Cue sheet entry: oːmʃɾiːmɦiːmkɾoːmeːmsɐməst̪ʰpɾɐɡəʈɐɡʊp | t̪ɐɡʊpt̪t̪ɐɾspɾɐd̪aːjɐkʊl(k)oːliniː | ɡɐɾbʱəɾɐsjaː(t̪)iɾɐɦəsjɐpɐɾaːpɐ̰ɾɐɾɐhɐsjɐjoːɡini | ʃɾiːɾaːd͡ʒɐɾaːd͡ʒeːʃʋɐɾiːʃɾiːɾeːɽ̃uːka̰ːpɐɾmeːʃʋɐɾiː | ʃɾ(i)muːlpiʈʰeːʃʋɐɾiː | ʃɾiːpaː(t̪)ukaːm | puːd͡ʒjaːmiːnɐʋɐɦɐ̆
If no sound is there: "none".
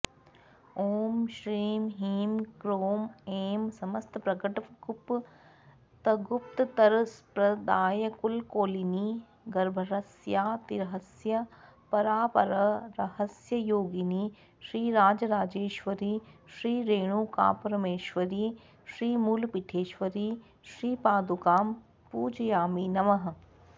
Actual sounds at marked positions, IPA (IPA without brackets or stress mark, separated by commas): k, t̪, iː, d̪